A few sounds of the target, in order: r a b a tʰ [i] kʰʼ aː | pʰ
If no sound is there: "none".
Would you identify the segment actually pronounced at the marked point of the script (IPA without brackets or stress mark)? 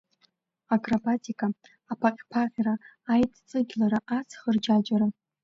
i